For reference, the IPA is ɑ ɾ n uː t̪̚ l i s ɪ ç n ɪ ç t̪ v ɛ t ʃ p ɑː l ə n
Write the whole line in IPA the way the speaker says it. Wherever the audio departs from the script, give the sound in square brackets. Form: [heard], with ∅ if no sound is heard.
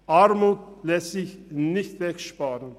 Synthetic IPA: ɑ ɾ [m] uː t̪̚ l [ɛ] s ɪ ç n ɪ ç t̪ v ɛ [k] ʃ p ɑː [ɾ] ə n